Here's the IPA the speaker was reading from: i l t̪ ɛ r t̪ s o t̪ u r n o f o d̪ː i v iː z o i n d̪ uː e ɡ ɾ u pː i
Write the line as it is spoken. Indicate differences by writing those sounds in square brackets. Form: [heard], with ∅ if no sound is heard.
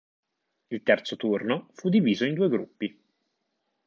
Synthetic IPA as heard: i l t̪ ɛ r t̪ s o t̪ u r n o f [u] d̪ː i v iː z o i n d̪ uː e ɡ ɾ u pː i